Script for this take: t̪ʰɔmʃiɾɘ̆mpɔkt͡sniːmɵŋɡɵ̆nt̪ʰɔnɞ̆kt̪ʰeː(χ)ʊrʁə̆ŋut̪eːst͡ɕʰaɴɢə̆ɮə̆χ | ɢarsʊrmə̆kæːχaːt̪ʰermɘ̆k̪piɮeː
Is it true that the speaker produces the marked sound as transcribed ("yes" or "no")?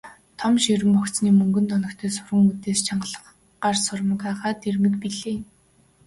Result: no